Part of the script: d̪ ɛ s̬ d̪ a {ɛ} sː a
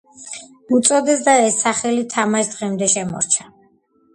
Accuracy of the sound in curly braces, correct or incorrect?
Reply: correct